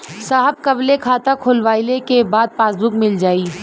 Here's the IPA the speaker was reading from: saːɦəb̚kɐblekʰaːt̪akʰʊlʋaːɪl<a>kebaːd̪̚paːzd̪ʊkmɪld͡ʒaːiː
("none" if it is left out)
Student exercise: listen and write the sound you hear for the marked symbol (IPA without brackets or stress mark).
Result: e